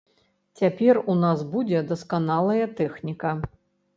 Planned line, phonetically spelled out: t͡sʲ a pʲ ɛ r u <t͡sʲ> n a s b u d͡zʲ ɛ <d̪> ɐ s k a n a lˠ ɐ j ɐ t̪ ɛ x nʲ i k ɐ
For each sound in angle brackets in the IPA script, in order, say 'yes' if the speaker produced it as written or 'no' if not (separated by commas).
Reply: no, yes